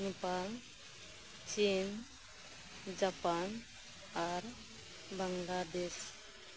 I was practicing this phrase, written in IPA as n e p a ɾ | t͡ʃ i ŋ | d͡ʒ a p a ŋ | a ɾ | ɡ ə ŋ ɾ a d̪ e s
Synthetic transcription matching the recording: n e p a l | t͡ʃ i n | d͡ʒ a p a n | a ɾ | b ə ŋ l a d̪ e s